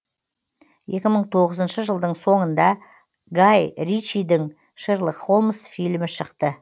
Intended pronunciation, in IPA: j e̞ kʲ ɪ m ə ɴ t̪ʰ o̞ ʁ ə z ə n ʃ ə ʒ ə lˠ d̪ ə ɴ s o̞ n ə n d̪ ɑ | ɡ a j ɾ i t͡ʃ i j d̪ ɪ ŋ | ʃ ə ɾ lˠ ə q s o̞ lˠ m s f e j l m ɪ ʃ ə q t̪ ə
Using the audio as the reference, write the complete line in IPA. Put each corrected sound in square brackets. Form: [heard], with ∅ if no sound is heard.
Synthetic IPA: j e̞ kʲ ɪ m ə ɴ t̪ʰ o̞ ʁ ə z ə n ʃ ə ʒ ə lˠ d̪ ə ɴ s o̞ [ɴ] ə n d̪ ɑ | ɡ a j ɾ i t͡ʃ i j d̪ ɪ ŋ | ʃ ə ɾ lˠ ə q [χ] o̞ lˠ m s f [i] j l m ɪ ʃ ə q t̪ ə

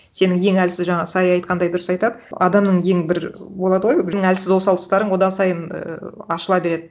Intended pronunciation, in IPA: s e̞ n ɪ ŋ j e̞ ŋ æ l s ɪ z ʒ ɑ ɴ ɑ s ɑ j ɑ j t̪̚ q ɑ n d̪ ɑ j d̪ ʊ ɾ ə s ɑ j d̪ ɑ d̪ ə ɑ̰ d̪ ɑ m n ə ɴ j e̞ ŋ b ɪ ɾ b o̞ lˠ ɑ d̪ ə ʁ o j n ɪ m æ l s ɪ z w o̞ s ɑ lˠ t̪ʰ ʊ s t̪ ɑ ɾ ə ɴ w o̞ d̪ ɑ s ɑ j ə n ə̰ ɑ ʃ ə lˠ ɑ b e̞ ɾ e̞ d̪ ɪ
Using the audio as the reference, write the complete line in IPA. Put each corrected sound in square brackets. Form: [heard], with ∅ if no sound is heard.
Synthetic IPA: s e̞ n ɪ ŋ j e̞ ŋ æ l s ɪ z ʒ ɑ ɴ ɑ s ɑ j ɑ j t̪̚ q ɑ n d̪ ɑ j d̪ ʊ ɾ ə s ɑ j [t̪] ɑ d̪ ə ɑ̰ d̪ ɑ m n ə ɴ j e̞ ŋ b ɪ ɾ b o̞ lˠ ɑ d̪ ə ʁ o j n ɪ [ŋ] æ l s ɪ z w o̞ s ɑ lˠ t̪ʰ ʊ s t̪ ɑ ɾ ə ɴ w o̞ d̪ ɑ s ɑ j ə n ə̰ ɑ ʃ ə lˠ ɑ b e̞ ɾ e̞ d̪ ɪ

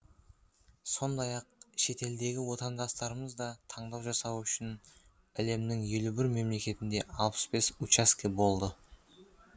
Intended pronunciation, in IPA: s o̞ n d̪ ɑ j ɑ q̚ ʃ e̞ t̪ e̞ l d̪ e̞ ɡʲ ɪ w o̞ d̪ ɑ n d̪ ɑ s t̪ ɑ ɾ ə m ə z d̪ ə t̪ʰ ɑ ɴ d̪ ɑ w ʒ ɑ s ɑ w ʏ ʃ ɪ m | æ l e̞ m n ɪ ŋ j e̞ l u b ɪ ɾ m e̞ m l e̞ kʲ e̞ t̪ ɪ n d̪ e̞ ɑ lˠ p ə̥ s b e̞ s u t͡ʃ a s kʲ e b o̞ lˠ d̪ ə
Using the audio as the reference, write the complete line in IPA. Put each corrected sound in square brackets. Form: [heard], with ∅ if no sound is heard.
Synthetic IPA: s o̞ n d̪ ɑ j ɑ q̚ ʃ e̞ t̪ e̞ l d̪ e̞ ɡʲ ɪ w o̞ [t̪] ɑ n d̪ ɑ s t̪ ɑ ɾ ə m ə z d̪ [ɑ] t̪ʰ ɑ ɴ d̪ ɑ w ʒ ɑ s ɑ w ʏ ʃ ɪ [n] | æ l e̞ m n ɪ ŋ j e̞ l u b ɪ ɾ m e̞ m l e̞ kʲ e̞ t̪ ɪ n d̪ e̞ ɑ lˠ p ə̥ s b e̞ s u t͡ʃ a s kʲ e b o̞ lˠ d̪ ə

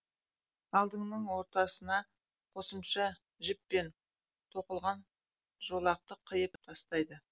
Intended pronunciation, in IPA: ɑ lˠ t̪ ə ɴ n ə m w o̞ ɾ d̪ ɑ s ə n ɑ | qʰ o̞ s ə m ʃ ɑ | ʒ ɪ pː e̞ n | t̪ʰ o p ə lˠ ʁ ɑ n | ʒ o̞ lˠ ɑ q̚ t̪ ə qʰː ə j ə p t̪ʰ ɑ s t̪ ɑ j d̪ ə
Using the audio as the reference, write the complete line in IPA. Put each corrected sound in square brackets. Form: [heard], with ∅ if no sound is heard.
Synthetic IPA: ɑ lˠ [d̪] ə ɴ n ə [ɴ] w o̞ ɾ [t̪] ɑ s ə n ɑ | qʰ o̞ s ə m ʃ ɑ | ʒ ɪ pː e̞ n | t̪ʰ o [q] ə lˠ ʁ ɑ n | ʒ o̞ lˠ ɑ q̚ t̪ ə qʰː ə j ə p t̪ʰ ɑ s t̪ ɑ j d̪ ə

